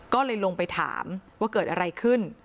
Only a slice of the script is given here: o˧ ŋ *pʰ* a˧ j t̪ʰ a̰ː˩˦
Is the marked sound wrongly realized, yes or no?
yes